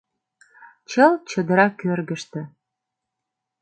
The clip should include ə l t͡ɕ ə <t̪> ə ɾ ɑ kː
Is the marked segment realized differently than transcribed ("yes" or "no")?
yes